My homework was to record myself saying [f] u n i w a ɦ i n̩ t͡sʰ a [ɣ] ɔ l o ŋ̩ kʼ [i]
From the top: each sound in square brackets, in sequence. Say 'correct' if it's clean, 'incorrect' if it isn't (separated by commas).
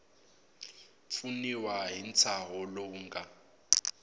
correct, correct, incorrect